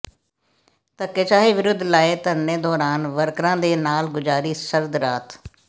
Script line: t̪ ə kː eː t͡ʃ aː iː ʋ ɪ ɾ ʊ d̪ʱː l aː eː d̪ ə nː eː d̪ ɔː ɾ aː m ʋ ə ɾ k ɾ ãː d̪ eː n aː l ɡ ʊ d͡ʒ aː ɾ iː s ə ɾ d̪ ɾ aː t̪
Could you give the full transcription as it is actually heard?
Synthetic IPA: t̪ ə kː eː t͡ʃ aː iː ʋ ɪ ɾ ʊ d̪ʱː l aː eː t̪ ə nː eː d̪ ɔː ɾ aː n ʋ ə ɾ k ɾ ãː d̪ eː n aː l ɡ ʊ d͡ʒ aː ɾ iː s ə ɾ d̪ ɾ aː t̪